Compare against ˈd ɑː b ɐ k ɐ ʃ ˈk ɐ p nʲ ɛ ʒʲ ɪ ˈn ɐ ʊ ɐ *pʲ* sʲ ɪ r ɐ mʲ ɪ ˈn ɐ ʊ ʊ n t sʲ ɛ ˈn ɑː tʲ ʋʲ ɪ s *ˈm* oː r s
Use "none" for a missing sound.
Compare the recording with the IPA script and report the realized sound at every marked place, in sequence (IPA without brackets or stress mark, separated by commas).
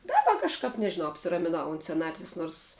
pʲ, n